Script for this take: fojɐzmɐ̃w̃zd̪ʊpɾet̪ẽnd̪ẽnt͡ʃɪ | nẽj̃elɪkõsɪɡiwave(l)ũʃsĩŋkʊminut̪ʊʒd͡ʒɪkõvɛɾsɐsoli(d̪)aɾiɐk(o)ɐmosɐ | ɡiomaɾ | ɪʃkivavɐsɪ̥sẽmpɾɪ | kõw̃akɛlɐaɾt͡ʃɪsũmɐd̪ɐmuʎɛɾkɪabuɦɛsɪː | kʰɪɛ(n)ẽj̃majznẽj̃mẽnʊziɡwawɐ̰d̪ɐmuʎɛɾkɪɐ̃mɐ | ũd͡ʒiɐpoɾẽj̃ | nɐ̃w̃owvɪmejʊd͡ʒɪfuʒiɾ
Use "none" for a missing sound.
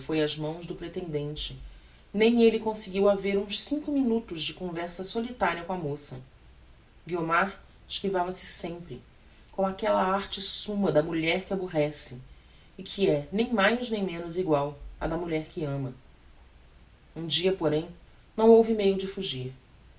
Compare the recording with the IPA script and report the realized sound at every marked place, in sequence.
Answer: ɾ, t̪, õ, n

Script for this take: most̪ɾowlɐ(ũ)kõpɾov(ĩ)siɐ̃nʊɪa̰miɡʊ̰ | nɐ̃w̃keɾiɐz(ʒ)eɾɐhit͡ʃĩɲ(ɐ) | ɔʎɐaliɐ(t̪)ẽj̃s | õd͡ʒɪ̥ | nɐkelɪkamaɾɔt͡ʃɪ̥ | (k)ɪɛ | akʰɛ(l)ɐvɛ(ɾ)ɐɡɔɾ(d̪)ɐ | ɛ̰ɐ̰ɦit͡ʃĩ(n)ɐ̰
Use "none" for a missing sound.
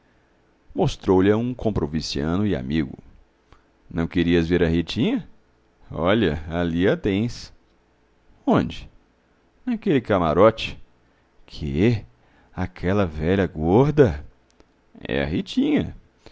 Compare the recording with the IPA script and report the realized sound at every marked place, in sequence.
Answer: ũ, i, v, ɐ, t̪, kʰ, l, ʎ, d̪, ɲ

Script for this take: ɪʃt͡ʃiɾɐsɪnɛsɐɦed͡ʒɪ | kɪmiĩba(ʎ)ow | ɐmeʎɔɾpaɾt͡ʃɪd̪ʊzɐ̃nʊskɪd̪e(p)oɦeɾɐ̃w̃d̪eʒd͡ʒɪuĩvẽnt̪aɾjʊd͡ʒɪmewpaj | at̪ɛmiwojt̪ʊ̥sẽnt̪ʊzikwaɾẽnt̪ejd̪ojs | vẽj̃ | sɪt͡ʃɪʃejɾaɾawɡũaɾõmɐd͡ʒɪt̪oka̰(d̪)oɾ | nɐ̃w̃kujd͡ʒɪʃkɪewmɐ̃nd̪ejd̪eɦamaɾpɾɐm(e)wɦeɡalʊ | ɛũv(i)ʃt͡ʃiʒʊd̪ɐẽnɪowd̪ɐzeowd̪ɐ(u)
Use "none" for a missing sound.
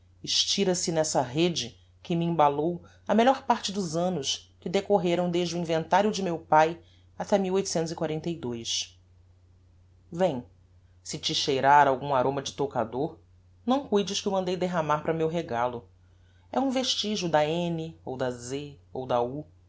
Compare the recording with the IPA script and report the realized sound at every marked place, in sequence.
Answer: l, k, d̪, e, e, u

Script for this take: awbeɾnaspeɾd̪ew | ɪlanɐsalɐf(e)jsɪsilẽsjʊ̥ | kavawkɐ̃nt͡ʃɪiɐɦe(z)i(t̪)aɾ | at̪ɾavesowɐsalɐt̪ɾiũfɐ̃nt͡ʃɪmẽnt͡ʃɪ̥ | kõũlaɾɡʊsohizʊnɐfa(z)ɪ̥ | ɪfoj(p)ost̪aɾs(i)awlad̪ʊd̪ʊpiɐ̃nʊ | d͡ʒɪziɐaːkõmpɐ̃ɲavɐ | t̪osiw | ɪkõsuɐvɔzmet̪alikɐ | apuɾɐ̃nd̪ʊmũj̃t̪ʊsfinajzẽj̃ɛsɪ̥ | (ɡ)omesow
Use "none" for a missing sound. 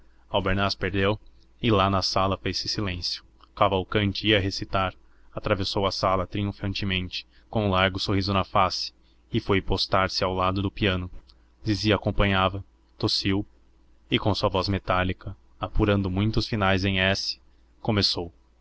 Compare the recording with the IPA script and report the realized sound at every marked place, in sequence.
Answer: e, s, t̪, s, p, ɪ, k

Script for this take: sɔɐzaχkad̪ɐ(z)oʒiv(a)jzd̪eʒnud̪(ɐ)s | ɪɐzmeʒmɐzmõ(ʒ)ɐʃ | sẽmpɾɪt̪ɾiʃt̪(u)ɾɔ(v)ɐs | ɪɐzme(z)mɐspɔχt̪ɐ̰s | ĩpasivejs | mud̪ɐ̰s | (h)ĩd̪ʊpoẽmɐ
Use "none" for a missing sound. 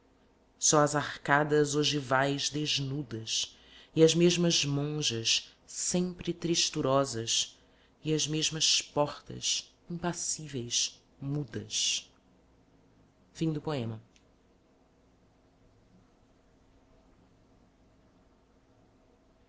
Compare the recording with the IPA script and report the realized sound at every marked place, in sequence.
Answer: z, a, ɐ, ʒ, u, z, ʒ, f

